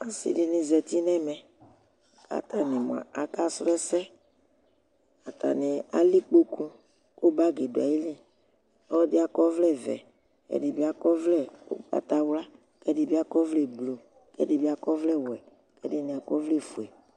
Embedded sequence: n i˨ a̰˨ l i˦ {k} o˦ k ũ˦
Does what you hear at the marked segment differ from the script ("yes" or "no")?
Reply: yes